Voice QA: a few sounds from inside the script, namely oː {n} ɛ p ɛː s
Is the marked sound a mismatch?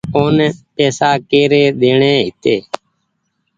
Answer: no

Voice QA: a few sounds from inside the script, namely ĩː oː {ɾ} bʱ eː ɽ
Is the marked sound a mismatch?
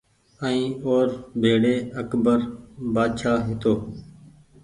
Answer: no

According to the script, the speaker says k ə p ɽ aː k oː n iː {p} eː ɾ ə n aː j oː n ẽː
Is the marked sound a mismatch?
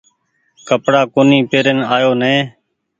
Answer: no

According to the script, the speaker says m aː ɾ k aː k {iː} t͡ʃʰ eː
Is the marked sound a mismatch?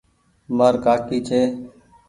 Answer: no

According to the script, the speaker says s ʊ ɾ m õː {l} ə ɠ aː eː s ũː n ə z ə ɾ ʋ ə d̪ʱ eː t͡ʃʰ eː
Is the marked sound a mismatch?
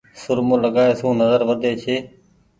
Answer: no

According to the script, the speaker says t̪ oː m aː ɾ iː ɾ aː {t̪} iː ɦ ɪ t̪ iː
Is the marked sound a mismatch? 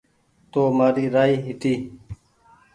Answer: yes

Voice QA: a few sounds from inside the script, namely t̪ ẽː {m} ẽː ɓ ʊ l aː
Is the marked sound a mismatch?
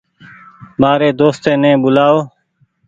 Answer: yes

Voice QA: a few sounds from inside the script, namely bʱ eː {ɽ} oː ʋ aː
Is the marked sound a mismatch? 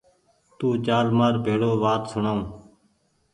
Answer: no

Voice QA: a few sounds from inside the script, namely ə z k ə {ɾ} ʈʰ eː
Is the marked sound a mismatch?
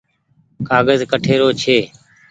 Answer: yes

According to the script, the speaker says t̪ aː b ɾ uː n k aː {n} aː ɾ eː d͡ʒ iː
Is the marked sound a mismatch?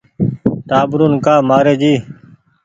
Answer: yes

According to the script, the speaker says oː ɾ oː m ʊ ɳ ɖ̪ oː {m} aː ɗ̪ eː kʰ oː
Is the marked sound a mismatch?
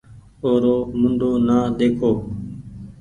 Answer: yes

